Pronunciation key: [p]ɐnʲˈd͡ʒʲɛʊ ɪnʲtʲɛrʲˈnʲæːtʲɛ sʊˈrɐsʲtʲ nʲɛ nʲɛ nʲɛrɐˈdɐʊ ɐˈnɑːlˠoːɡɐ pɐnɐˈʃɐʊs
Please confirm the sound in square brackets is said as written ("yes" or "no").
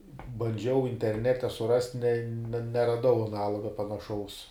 no